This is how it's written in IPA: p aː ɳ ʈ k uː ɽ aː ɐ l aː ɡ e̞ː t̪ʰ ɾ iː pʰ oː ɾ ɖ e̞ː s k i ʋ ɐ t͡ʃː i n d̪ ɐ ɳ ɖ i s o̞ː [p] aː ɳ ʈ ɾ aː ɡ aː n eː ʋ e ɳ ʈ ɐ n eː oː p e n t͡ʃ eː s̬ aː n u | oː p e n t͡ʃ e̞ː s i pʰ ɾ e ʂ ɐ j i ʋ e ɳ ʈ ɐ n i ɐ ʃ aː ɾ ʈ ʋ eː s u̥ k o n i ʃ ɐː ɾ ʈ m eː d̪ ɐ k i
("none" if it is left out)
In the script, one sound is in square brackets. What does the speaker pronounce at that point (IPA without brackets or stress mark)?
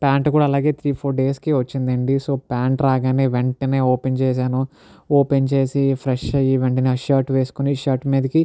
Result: p